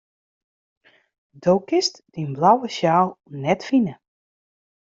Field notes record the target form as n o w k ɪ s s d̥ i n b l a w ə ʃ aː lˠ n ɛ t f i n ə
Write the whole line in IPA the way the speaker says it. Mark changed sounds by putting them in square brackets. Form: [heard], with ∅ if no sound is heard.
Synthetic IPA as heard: [d] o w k ɪ s [t] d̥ i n b l a w ə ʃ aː lˠ n ɛ t f i n ə